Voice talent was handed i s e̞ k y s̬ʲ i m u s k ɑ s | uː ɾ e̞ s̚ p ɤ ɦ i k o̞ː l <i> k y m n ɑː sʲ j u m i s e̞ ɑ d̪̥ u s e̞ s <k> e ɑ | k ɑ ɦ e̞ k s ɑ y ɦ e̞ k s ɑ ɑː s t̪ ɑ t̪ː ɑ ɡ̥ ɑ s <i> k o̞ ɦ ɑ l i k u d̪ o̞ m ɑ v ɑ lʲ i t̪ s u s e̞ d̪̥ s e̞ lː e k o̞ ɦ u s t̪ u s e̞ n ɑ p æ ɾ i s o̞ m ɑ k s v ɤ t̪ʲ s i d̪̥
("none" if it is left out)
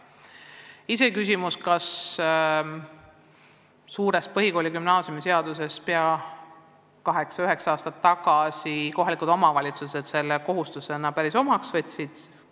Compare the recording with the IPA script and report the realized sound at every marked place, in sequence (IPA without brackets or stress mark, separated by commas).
i, p, i